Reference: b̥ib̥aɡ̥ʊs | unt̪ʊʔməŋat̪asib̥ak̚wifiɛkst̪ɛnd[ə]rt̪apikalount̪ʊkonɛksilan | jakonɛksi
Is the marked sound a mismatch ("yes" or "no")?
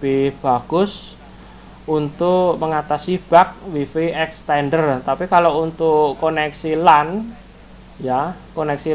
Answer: no